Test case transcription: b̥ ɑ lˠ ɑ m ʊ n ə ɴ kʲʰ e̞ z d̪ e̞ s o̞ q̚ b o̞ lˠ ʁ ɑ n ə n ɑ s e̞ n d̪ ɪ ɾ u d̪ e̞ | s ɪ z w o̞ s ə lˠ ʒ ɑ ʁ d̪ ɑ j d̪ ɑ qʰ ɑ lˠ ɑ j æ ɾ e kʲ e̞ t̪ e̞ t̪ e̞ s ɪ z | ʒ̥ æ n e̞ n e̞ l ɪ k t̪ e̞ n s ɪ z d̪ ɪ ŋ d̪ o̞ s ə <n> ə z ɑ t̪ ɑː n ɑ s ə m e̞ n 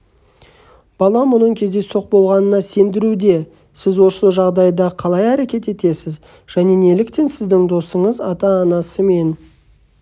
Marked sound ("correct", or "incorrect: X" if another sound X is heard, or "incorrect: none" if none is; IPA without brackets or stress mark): incorrect: ɴ